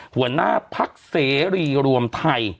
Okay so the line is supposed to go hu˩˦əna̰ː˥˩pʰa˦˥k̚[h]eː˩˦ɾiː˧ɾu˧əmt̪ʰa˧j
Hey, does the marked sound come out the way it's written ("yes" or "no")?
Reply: no